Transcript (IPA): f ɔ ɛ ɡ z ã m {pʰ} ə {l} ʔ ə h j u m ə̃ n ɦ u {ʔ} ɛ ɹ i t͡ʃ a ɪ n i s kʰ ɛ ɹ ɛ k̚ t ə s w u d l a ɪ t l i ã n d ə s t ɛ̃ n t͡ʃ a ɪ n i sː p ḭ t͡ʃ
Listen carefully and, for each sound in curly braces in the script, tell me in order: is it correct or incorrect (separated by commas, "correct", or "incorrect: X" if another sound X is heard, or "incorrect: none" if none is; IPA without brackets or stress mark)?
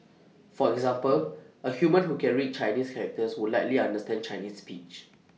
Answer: incorrect: p, correct, incorrect: k